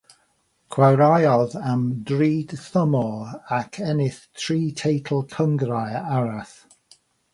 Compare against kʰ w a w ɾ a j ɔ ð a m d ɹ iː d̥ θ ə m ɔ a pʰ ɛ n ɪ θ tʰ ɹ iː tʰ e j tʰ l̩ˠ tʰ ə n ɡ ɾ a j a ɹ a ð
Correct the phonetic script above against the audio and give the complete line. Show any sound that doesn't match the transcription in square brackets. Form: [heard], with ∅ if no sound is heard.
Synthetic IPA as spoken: kʰ w a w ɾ a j ɔ ð a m d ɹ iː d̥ θ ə m ɔ a [kʰ] ɛ n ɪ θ tʰ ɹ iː tʰ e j tʰ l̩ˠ [kʰ] ə [ŋ] ɡ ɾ a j a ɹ a [θ]